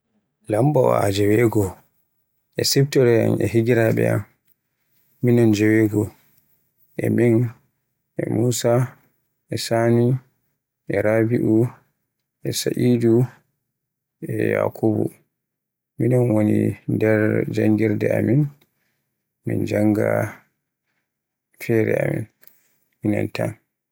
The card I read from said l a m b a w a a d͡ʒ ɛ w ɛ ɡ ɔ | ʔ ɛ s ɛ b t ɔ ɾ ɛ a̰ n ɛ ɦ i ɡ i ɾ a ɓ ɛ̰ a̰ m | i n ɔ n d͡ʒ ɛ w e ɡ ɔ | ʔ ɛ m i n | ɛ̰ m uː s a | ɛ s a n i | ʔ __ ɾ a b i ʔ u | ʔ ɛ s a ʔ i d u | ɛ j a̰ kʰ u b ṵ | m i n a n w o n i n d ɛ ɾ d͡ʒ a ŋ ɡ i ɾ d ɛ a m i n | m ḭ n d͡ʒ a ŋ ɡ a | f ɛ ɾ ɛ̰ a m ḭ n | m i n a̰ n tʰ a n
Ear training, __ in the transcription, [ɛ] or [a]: ɛ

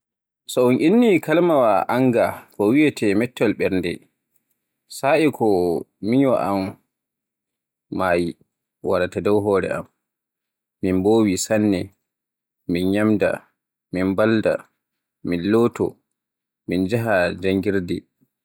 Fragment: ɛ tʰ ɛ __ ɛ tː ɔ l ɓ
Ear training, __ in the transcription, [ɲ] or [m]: m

